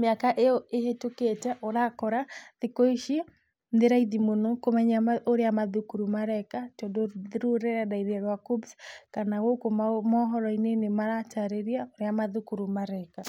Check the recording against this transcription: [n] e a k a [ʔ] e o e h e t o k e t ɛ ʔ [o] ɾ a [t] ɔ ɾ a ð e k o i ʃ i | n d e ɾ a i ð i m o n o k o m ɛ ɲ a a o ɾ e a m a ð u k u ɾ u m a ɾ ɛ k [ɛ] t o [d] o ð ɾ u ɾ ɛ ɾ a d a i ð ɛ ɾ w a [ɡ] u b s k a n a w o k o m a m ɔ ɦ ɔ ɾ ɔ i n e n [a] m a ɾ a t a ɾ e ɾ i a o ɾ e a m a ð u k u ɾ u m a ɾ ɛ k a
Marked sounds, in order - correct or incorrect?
incorrect, correct, correct, incorrect, incorrect, correct, incorrect, incorrect

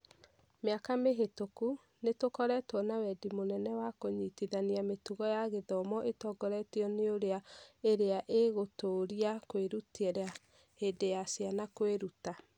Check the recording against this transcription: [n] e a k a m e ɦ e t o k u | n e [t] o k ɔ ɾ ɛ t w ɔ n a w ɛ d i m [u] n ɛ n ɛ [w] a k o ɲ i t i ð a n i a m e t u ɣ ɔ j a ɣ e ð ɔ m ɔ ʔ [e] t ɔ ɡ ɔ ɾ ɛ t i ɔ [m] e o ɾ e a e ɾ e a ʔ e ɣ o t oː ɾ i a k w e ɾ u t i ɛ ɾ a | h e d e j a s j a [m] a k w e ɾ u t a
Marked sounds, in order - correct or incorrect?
incorrect, correct, incorrect, correct, correct, incorrect, incorrect

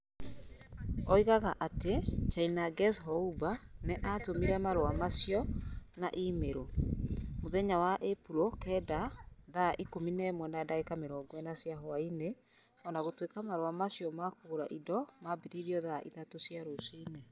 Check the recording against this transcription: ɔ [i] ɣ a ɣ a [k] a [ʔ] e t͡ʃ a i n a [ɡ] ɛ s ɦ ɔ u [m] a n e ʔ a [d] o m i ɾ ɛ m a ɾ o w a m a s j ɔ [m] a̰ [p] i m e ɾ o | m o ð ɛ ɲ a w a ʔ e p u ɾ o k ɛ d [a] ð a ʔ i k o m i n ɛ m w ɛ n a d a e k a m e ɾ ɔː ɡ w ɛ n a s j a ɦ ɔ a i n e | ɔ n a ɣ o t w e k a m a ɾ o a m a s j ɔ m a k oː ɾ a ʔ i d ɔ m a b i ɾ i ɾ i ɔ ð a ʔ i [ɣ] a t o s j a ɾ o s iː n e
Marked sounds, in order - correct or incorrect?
correct, incorrect, incorrect, correct, incorrect, incorrect, incorrect, incorrect, correct, incorrect

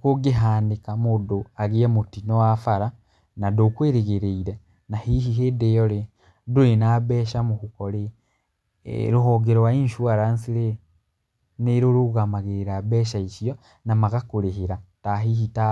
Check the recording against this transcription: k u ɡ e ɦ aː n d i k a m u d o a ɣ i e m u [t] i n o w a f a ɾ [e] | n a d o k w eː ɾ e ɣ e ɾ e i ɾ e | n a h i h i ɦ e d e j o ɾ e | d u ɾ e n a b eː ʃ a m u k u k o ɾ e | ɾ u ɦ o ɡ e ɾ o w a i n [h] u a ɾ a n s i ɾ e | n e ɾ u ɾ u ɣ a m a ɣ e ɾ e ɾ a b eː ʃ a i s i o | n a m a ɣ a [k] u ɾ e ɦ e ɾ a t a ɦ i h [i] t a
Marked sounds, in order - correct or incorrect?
correct, incorrect, incorrect, correct, correct

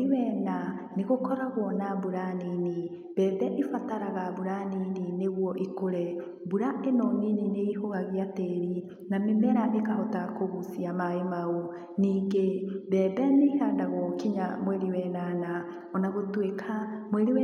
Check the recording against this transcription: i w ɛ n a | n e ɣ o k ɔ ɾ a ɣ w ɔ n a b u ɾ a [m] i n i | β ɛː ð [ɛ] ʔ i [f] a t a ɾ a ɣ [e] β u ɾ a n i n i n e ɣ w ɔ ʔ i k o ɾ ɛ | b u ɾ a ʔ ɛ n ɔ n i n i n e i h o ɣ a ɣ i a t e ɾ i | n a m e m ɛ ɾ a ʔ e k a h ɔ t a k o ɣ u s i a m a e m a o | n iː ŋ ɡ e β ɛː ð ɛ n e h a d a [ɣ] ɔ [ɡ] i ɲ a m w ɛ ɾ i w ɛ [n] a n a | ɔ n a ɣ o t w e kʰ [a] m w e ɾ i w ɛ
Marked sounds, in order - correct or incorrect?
incorrect, correct, correct, incorrect, correct, incorrect, correct, correct

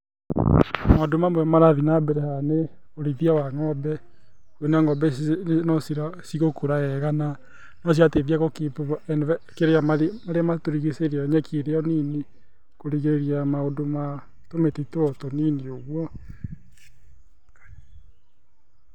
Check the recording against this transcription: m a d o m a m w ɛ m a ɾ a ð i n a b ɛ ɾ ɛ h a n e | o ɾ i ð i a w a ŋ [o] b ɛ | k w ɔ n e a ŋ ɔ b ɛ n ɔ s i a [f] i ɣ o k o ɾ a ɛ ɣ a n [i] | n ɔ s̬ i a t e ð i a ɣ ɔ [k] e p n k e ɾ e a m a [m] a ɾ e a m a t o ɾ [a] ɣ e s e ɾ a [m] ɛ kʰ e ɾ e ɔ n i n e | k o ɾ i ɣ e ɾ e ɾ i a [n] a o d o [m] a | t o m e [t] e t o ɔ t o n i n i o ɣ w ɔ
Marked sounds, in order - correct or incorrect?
incorrect, incorrect, incorrect, correct, correct, incorrect, incorrect, incorrect, correct, correct

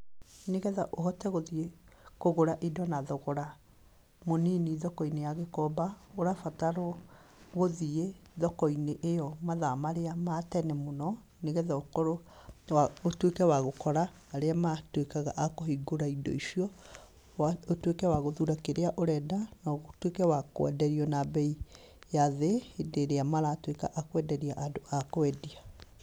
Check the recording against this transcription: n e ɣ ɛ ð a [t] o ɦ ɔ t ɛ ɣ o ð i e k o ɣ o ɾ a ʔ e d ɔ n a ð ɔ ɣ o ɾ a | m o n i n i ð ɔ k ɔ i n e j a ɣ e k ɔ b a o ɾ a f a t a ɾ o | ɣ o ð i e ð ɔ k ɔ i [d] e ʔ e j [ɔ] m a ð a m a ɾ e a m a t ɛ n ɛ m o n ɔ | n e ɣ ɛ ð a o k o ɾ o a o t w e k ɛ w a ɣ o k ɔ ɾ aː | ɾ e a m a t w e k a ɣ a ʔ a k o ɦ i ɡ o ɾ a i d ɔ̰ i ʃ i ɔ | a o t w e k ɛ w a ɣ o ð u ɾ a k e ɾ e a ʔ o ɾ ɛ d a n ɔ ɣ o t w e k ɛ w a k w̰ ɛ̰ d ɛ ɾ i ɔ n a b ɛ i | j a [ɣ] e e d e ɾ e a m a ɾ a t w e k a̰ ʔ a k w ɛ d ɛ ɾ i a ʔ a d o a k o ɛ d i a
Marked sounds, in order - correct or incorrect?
incorrect, incorrect, correct, incorrect

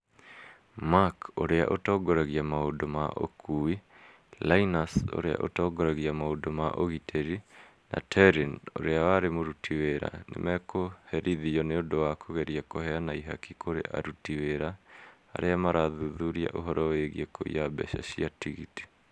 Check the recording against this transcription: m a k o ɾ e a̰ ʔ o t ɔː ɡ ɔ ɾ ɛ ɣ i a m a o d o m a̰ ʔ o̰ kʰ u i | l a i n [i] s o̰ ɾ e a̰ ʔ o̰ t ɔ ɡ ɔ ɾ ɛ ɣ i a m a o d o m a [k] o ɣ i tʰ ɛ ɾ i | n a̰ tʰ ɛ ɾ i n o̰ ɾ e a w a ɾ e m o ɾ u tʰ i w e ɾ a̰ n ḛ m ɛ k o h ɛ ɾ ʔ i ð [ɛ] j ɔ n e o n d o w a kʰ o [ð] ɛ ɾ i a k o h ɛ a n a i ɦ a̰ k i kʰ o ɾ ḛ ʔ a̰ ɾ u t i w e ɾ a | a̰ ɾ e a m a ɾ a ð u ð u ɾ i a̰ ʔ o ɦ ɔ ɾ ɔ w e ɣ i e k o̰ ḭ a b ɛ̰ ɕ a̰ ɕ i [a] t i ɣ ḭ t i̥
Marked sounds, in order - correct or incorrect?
incorrect, incorrect, incorrect, incorrect, correct

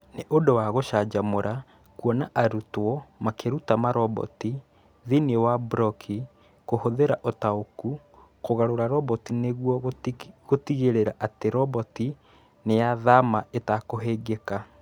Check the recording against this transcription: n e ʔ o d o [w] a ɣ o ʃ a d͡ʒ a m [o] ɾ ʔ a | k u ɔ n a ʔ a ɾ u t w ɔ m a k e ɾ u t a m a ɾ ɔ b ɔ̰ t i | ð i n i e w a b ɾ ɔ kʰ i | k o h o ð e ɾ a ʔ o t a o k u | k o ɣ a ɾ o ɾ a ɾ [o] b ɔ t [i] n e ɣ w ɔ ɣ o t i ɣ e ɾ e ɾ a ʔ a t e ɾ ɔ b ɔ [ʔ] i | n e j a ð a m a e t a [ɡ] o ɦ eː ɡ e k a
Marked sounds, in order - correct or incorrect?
correct, correct, incorrect, correct, incorrect, incorrect

